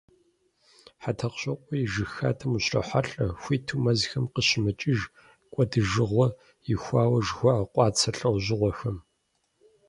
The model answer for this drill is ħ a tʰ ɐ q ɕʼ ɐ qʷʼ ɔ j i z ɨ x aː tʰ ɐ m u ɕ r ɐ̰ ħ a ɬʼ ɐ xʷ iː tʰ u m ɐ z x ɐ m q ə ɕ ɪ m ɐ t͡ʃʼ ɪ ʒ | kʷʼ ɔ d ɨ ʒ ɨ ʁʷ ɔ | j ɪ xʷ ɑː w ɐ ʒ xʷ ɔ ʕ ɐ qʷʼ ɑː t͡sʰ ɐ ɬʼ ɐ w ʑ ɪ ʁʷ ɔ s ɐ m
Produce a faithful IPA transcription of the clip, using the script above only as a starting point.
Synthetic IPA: ħ a tʰ ɐ q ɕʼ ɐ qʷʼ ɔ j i ʒ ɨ x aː tʰ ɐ m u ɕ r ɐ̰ ħ a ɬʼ ɐ xʷ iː tʰ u m ɐ z x ɐ m q ə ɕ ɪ m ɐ t͡ʃʼ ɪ ʒ | kʷʼ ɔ d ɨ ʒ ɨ ʁʷ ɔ | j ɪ xʷ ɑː w ɐ ʒ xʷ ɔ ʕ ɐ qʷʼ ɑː t͡sʰ ɐ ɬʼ ɐ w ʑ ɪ ʁʷ ɔ x ɐ m